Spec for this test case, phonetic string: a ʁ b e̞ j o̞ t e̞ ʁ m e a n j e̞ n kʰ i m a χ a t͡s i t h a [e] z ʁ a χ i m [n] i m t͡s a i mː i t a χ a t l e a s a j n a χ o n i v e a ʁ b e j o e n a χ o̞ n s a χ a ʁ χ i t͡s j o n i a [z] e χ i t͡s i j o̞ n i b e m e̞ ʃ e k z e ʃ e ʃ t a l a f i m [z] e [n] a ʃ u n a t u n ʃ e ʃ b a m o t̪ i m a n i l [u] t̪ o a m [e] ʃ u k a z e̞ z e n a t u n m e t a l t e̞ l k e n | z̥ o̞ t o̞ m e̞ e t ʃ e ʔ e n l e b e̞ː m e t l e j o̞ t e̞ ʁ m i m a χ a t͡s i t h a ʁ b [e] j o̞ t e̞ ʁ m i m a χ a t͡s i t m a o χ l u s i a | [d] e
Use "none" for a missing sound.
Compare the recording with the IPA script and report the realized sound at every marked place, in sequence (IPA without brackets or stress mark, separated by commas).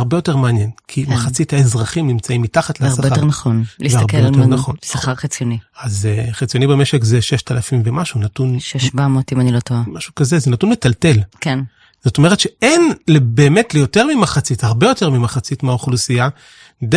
e, n, z, v, m, o, a, e, d